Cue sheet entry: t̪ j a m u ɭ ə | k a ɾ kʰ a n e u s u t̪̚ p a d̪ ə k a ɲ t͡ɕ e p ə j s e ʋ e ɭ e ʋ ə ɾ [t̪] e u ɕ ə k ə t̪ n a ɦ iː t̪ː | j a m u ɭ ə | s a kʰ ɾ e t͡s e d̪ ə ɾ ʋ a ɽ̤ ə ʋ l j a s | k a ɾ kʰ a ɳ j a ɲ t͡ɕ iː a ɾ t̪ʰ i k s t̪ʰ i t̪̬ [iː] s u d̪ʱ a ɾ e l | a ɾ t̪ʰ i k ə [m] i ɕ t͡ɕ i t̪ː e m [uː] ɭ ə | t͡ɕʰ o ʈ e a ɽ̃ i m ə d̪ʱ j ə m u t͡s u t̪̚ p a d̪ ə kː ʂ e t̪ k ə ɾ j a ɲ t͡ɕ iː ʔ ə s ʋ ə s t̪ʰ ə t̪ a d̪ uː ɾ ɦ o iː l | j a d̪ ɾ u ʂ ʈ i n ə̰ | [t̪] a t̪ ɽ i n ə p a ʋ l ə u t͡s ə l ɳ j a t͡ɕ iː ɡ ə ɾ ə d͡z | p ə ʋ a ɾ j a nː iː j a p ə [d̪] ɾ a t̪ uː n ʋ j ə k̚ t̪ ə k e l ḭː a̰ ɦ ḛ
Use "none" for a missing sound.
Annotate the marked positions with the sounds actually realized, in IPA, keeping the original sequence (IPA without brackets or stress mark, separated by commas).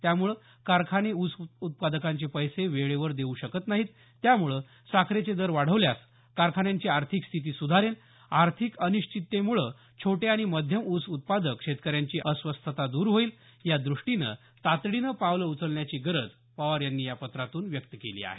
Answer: d̪, iː, n, u, t̪, t̪